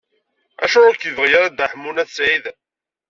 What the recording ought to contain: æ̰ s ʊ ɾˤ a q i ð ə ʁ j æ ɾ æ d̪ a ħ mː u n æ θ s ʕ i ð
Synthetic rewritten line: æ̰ ʃ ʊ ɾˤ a k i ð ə ʁ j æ ɾ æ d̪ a ħ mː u n æ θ s ʕ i ð